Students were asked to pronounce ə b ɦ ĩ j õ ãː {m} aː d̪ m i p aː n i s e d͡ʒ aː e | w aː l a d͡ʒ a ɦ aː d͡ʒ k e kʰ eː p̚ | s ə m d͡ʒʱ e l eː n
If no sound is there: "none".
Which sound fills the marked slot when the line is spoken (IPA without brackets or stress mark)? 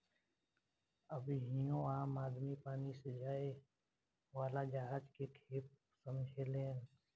m